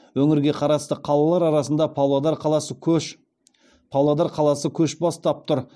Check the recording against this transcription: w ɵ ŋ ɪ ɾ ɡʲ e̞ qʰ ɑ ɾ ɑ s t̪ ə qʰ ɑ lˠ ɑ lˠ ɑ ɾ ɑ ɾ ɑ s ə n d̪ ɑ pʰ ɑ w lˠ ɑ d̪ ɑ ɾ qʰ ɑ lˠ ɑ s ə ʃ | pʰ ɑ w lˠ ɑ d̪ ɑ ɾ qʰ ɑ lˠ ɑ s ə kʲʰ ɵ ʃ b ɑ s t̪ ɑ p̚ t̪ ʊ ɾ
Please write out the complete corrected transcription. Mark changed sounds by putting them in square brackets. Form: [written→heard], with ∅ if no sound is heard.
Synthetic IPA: w ɵ ŋ ɪ ɾ ɡʲ e̞ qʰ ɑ ɾ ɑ s t̪ ə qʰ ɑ lˠ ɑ lˠ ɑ ɾ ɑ ɾ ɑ s ə n d̪ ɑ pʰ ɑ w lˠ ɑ d̪ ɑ ɾ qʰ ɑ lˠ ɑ s ə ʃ | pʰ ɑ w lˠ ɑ d̪ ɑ ɾ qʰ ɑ lˠ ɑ s ə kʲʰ ɵ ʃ b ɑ s t̪ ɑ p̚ t̪ ʊ ɾ